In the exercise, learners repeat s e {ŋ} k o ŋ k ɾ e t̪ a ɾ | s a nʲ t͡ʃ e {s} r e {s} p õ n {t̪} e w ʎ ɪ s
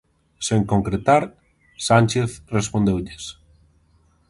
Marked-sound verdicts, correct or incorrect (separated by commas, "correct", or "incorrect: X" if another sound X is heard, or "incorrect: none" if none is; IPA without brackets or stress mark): correct, incorrect: θ, correct, incorrect: d̪